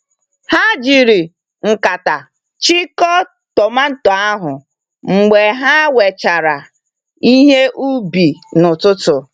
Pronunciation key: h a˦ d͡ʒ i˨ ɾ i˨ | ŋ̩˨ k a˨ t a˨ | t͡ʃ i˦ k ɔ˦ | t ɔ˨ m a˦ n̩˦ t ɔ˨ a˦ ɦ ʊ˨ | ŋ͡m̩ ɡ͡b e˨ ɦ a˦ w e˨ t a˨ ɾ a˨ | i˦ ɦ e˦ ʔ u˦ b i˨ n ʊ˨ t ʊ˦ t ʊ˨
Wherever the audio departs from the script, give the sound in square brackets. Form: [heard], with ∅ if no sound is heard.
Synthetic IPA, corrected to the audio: h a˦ d͡ʒ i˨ ɾ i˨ | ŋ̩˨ k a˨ t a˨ | t͡ʃ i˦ k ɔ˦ | t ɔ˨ m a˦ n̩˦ t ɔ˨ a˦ ɦ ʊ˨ | ŋ͡m̩ ɡ͡b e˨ ɦ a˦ w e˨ [t͡ʃ] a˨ ɾ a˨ | i˦ ɦ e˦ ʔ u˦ b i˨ n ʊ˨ t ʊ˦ t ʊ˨